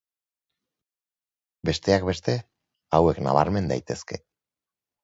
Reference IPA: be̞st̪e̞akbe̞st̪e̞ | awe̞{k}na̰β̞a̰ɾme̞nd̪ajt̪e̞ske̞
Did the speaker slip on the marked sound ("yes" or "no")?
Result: no